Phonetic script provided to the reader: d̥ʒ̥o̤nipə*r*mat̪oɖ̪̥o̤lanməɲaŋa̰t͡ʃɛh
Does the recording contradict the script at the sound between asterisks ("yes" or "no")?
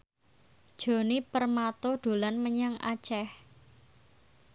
no